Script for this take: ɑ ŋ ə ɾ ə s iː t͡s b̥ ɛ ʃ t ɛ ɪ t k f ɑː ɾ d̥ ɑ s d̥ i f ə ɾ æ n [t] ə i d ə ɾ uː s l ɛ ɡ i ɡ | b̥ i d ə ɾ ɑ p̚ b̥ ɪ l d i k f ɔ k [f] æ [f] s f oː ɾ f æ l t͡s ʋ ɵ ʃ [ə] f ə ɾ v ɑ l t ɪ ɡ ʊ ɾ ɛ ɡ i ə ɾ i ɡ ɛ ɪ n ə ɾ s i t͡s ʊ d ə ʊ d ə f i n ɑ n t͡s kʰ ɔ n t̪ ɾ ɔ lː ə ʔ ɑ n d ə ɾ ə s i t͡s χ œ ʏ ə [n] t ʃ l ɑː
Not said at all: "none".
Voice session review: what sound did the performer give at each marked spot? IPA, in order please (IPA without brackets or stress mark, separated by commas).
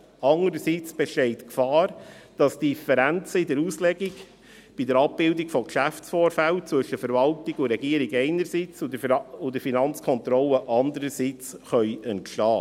t͡s, ʃ, f, ə, n